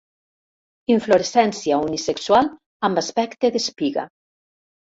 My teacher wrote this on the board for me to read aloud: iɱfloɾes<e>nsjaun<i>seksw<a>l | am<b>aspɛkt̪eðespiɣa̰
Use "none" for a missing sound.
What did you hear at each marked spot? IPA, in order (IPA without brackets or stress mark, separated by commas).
ɛ, i, a, b